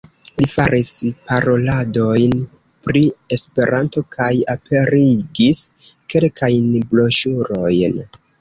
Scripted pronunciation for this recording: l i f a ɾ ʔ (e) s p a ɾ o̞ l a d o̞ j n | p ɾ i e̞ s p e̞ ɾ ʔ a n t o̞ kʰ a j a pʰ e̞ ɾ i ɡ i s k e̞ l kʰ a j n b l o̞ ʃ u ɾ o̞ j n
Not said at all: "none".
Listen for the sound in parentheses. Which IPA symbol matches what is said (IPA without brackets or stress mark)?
i